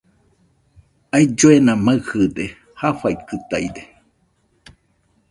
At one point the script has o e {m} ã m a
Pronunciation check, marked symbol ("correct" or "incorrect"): incorrect